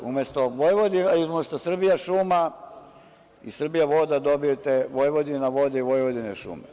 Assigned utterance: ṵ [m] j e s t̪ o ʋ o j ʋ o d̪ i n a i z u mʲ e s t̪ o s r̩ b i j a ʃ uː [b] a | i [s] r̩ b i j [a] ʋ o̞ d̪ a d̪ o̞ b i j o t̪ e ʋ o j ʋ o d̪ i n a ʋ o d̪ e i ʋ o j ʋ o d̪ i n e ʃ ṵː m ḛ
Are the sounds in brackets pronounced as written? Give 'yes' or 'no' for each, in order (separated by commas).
yes, no, yes, yes